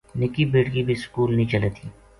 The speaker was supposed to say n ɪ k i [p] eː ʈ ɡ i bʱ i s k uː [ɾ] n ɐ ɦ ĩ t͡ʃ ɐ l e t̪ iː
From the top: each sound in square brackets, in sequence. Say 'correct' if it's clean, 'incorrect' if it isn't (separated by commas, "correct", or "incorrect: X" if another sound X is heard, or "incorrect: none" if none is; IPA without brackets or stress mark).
incorrect: b, incorrect: l